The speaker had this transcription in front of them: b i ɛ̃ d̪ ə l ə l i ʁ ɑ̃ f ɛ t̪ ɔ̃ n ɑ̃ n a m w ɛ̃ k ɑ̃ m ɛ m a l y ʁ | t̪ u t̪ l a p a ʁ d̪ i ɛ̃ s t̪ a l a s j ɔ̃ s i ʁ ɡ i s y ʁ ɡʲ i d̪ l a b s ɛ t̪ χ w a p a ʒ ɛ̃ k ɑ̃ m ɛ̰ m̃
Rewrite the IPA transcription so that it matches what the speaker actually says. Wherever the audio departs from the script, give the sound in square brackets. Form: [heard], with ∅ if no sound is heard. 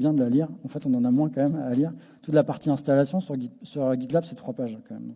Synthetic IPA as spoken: b [j] ɛ̃ d̪ ə l [a] l i ʁ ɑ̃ f ɛ t̪ ɔ̃ n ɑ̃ n a m w ɛ̃ k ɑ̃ m ɛ m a l [i] ʁ | t̪ u t̪ l a p a ʁ [t̪] i ɛ̃ s t̪ a l a s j ɔ̃ s [y] ʁ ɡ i s y ʁ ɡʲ i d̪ l a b s ɛ t̪ χ w a p a ʒ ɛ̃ k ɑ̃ m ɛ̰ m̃